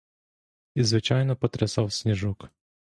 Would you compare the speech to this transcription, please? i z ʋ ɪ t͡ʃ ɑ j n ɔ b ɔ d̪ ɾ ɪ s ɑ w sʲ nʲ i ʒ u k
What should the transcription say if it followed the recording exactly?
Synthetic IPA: i z ʋ ɪ t͡ʃ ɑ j n ɔ p ɔ t̪ ɾ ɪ s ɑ w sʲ nʲ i ʒ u k